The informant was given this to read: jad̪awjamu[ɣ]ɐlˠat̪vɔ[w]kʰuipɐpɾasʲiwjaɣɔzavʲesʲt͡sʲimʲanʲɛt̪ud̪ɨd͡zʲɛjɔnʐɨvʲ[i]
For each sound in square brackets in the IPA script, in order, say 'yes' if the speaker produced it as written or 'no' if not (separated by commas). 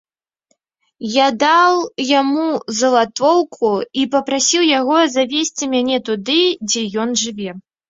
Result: no, yes, no